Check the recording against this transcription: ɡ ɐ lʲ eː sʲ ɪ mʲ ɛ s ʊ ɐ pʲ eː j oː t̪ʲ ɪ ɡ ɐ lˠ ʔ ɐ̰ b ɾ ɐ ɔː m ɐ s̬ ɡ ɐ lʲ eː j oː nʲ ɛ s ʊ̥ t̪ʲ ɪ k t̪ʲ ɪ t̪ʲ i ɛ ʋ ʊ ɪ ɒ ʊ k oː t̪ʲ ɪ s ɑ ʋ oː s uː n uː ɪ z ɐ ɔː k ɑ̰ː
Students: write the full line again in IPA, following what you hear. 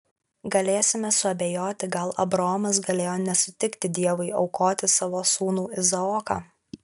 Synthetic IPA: ɡ ɐ lʲ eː sʲ ɪ mʲ ɛ s ʊ ɐ bʲ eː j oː t̪ʲ ɪ ɡ ɐ lˠ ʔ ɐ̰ b ɾ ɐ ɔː m ɐ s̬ ɡ ɐ lʲ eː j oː nʲ ɛ s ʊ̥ t̪ʲ ɪ k t̪ʲ ɪ d̪ʲ i ɛ ʋ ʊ ɪ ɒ ʊ k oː t̪ʲ ɪ s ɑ ʋ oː s uː n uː ɪ z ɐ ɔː k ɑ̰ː

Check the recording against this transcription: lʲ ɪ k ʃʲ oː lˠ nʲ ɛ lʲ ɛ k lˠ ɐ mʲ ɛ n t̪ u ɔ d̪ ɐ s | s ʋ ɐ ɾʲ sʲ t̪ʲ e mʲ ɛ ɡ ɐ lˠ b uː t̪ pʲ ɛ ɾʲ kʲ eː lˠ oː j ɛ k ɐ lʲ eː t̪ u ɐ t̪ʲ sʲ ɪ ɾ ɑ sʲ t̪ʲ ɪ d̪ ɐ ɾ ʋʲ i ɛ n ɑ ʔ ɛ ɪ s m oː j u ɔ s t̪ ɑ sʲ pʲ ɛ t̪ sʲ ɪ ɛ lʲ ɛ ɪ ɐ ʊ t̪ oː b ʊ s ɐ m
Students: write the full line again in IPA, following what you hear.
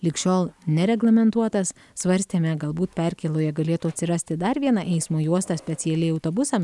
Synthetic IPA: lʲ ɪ k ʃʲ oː lˠ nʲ ɛ ɾʲ ɛ ɡ lˠ ɐ mʲ ɛ n t̪ u ɔ t̪ ɐ s | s ʋ ɐ ɾʲ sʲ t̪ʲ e mʲ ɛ ɡ ɐ lˠ b uː t̪ pʲ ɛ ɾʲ kʲ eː lˠ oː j ɛ ɡ ɐ lʲ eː t̪ u ɐ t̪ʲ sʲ ɪ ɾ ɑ sʲ t̪ʲ ɪ d̪ ɐ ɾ ʋʲ i ɛ n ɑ ʔ ɛ ɪ s m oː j u ɔ s t̪ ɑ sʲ pʲ ɛ t̪ sʲ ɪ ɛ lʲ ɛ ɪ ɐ ʊ t̪ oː b ʊ s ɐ m

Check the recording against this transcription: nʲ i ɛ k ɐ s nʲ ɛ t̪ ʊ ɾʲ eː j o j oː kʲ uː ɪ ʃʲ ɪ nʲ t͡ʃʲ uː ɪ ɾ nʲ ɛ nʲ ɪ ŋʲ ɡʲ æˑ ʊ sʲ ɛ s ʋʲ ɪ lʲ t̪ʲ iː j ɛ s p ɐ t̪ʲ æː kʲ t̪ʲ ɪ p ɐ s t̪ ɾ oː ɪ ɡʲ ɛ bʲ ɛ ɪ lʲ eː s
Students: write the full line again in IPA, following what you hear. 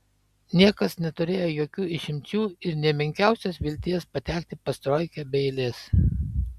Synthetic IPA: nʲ i ɛ k ɐ s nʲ ɛ t̪ ʊ ɾʲ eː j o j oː kʲ uː ɪ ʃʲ ɪ mʲ t͡ʃʲ uː ɪ ɾ nʲ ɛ mʲ ɪ ŋʲ kʲ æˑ ʊ sʲ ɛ s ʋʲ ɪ lʲ t̪ʲ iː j ɛ s p ɐ t̪ʲ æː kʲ t̪ʲ ɪ p ɐ s t̪ ɾ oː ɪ kʲ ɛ bʲ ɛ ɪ lʲ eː s

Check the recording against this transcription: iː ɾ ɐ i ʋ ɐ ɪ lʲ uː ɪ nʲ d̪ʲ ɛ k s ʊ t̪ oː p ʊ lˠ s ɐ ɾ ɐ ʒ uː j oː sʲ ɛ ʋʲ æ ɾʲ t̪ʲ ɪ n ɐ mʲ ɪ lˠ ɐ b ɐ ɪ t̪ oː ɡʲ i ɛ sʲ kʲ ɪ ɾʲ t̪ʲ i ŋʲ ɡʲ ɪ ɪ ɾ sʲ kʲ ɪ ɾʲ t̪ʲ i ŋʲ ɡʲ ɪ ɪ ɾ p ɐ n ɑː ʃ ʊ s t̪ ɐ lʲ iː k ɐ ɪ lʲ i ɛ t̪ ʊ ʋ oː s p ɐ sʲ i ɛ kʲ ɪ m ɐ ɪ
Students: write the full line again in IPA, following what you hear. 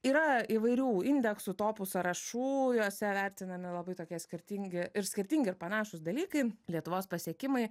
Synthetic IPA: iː ɾ ɐ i ʋ ɐ ɪ ɾʲ uː ɪ nʲ d̪ʲ ɛ k s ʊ t̪ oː p ʊ s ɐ ɾ ɐ ʃ uː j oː sʲ ɛ ʋʲ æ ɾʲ t̪ʲ ɪ n ɐ mʲ ɪ lˠ ɐ b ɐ ɪ t̪ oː kʲ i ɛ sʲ kʲ ɪ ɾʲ t̪ʲ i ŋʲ ɡʲ ɪ ɪ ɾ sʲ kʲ ɪ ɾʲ t̪ʲ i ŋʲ ɡʲ ɪ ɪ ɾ p ɐ n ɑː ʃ ʊ s d̪ ɐ lʲ iː k ɐ ɪ lʲ i ɛ t̪ ʊ ʋ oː s p ɐ sʲ i ɛ kʲ ɪ m ɐ ɪ

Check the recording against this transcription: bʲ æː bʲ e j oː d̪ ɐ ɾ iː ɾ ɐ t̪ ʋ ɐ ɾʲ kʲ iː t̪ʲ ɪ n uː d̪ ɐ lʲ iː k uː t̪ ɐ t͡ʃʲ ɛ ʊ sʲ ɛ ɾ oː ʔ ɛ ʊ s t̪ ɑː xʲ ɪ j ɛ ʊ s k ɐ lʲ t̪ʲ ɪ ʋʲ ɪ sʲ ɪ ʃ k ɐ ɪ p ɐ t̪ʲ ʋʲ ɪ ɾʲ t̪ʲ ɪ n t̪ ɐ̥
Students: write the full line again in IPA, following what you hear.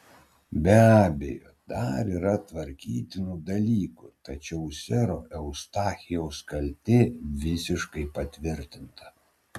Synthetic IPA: bʲ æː bʲ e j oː d̪ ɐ ɾ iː ɾ ɐ t̪ ʋ ɐ ɾʲ kʲ iː t̪ʲ ɪ n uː d̪ ɐ lʲ iː k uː t̪ ɐ t͡ʃʲ ɛ ʊ sʲ ɛ ɾ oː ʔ ɛ ʊ s t̪ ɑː xʲ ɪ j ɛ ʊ s k ɐ lʲ t̪ʲ ɪ ʋʲ ɪ sʲ ɪ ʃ k ɐ ɪ p ɐ t̪ʲ ʋʲ ɪ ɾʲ t̪ʲ ɪ n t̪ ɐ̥

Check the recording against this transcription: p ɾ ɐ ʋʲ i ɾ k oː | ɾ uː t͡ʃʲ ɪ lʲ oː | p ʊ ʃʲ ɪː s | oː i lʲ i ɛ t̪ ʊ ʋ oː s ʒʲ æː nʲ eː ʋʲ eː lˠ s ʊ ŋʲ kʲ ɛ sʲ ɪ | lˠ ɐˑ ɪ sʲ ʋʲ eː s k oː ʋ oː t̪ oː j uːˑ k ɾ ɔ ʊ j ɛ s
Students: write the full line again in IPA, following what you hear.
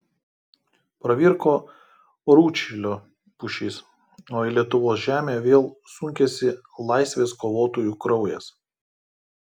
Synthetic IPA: p ɾ ɐ ʋʲ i ɾ k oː | ɾ uː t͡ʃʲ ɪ lʲ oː | p ʊ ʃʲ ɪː s | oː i lʲ i ɛ t̪ ʊ ʋ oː s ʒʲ æː mʲ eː ʋʲ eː lˠ s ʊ ŋʲ kʲ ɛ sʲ ɪ | lˠ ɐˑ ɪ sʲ ʋʲ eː s k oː ʋ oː t̪ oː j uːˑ k ɾ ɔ ʊ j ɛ s

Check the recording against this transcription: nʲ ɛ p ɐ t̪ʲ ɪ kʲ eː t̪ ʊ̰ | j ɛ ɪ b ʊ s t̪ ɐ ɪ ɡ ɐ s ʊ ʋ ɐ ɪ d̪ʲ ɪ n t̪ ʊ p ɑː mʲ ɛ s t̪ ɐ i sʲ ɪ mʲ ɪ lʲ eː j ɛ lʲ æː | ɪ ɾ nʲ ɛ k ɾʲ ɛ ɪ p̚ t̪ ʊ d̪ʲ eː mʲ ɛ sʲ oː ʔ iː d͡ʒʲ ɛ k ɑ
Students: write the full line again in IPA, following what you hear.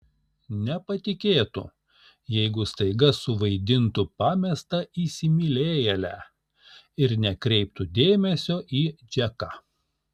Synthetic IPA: nʲ ɛ p ɐ t̪ʲ ɪ kʲ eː t̪ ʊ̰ | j ɛ ɪ ɡ ʊ s t̪ ɐ ɪ ɡ ɐ s ʊ ʋ ɐ ɪ d̪ʲ ɪ n t̪ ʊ p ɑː mʲ ɛ s t̪ ɐ i sʲ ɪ mʲ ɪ lʲ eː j ɛ lʲ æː | ɪ ɾ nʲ ɛ k ɾʲ ɛ ɪ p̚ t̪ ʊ d̪ʲ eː mʲ ɛ sʲ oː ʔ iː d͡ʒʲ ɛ k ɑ

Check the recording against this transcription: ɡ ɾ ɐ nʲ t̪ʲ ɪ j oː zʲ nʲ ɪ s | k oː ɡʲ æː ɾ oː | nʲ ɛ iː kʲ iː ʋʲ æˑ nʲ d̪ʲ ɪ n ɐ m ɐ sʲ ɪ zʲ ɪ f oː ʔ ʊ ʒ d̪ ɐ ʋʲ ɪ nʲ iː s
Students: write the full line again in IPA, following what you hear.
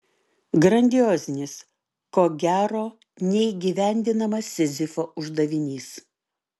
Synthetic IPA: ɡ ɾ ɐ nʲ d̪ʲ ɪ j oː zʲ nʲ ɪ s | k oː ɡʲ æː ɾ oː | nʲ ɛ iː ɡʲ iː ʋʲ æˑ nʲ d̪ʲ ɪ n ɐ m ɐ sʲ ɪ zʲ ɪ f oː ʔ ʊ ʒ d̪ ɐ ʋʲ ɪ nʲ iː s

